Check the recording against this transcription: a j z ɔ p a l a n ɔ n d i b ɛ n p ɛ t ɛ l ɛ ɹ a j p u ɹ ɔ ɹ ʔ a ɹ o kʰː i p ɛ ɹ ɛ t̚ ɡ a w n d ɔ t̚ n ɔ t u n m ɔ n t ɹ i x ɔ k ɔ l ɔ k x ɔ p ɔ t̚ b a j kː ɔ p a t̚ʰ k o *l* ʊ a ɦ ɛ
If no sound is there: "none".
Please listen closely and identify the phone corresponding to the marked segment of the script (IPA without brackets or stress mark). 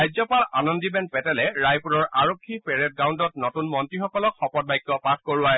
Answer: ɹ